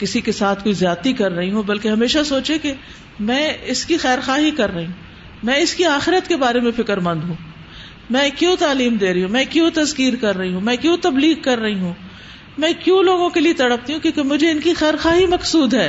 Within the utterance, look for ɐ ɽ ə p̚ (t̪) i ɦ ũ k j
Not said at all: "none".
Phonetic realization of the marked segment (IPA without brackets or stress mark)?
t̪